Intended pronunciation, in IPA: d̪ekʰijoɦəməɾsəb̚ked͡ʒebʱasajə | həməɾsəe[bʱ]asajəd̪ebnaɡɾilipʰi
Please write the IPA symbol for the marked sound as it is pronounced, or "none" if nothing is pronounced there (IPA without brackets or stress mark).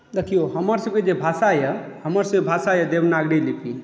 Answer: bʱ